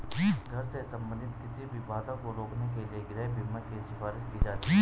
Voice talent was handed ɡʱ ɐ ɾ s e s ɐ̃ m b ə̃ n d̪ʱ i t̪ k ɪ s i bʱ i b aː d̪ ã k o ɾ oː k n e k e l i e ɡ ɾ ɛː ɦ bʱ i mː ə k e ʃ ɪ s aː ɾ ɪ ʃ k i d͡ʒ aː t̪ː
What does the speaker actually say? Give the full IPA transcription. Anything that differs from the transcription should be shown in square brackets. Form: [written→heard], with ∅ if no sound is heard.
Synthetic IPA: ɡʱ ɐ ɾ s e s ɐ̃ m b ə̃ n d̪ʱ [i→ɪ] t̪ k ɪ s i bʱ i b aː d̪ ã k o ɾ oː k n e k e l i e ɡ ɾ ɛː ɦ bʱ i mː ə k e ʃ ɪ [s→f] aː ɾ ɪ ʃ k i d͡ʒ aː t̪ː